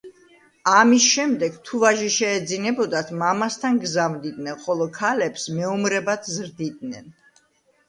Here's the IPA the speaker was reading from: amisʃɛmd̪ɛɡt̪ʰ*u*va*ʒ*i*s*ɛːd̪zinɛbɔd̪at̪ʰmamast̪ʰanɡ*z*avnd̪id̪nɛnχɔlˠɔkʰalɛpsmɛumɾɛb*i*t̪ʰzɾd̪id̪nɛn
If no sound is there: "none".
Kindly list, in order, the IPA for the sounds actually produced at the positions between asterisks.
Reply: u, ʒ, ʃ, z, a

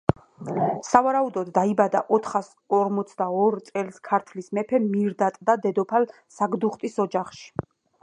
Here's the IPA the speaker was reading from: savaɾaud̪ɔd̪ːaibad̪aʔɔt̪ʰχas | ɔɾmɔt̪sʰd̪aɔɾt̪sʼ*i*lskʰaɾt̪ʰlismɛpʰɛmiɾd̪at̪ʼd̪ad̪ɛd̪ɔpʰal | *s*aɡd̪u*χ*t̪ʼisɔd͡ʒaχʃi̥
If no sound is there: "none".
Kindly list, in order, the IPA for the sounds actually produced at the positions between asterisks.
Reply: ɛ, s, χ

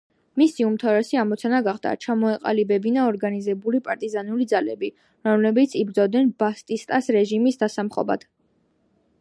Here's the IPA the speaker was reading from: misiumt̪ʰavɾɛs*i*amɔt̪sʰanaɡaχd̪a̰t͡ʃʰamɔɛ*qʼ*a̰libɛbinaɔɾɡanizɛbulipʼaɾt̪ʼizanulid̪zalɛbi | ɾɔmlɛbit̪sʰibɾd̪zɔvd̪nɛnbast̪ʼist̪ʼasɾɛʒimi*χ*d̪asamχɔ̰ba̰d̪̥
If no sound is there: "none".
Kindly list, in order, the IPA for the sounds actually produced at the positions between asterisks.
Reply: i, qʼ, s

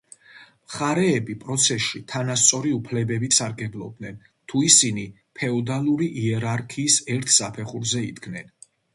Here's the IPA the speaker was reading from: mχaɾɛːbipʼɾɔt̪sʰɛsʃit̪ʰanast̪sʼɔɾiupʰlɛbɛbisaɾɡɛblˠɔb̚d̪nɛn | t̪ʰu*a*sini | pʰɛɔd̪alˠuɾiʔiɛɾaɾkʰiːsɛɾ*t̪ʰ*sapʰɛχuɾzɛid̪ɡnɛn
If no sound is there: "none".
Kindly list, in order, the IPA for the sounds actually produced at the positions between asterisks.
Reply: i, t̪ʰ

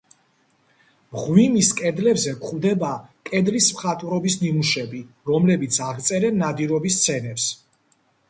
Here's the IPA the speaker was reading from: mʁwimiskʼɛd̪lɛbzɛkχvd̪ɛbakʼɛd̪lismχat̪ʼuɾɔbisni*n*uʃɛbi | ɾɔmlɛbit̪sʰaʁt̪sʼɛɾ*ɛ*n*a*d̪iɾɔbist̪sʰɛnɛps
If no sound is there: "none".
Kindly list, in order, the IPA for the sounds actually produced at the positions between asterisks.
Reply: m, ɛ, a

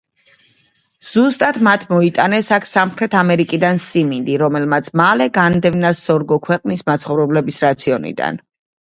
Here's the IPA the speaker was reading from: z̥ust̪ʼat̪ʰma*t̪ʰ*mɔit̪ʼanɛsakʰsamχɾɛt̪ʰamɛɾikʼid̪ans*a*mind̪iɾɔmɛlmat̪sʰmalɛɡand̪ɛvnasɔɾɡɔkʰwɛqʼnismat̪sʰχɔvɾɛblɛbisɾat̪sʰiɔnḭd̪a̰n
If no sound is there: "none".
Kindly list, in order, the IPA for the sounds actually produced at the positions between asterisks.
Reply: t̪ʰ, i

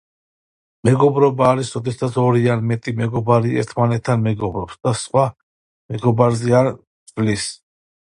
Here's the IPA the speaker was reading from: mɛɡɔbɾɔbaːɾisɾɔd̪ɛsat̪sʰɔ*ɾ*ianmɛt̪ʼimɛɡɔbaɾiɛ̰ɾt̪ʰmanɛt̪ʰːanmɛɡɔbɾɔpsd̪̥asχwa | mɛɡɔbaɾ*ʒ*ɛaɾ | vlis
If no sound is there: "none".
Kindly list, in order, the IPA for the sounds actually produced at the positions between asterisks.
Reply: ɾ, z

